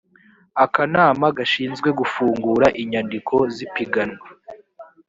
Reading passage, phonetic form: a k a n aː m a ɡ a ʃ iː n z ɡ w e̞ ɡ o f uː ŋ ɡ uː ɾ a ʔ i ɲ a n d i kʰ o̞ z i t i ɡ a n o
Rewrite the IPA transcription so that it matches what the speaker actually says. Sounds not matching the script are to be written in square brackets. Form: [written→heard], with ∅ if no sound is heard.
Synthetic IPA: a k a n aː m a ɡ a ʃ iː n z ɡ w e̞ ɡ [o→u] f uː ŋ ɡ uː ɾ a ʔ i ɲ a n d i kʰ o̞ z i [t→p] i ɡ a n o